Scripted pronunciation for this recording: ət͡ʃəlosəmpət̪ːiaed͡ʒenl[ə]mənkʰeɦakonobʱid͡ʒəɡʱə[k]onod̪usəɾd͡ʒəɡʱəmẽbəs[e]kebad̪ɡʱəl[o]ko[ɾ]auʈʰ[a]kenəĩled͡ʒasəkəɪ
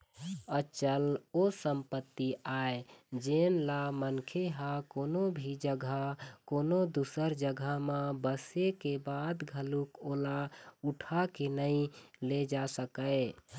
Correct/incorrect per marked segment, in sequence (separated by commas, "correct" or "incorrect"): incorrect, correct, correct, incorrect, incorrect, correct